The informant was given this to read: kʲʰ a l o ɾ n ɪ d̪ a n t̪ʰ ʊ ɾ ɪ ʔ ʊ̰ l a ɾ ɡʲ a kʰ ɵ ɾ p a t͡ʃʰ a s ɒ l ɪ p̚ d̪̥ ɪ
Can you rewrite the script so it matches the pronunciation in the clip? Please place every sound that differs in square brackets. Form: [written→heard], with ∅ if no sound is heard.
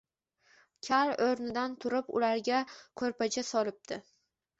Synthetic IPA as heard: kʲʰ a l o ɾ n ɪ d̪ a n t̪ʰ ʊ ɾ ɪ [ʔ→p] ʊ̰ l a ɾ ɡʲ a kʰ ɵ ɾ p a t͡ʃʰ a s ɒ l ɪ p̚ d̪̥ ɪ